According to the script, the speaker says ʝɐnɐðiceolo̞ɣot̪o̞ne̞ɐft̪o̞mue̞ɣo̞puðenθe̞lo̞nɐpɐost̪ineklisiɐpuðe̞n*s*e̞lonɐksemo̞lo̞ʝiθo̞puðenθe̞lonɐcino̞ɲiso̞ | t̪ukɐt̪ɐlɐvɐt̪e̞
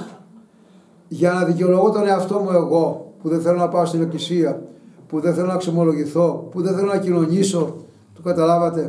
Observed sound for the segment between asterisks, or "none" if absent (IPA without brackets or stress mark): θ